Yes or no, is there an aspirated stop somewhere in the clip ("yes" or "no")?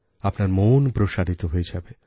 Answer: no